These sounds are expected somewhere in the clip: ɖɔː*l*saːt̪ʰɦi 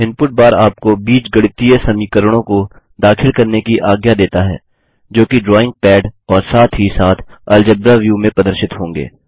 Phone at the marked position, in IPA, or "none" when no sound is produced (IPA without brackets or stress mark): ɾ